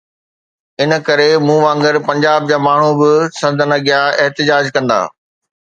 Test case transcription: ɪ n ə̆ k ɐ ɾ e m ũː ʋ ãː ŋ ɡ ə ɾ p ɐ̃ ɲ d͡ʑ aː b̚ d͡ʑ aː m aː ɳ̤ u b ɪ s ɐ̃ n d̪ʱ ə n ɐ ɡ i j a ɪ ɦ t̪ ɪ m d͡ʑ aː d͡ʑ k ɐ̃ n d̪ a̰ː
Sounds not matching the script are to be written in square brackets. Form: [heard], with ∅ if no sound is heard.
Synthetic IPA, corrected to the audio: ɪ n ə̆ k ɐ ɾ e m ũː ʋ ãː ŋ ɡ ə ɾ p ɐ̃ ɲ d͡ʑ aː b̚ d͡ʑ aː m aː ɳ̤ u b ɪ s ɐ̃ n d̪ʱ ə n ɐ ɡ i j a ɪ ɦ t̪ ɪ [∅] d͡ʑ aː d͡ʑ k ɐ̃ n d̪ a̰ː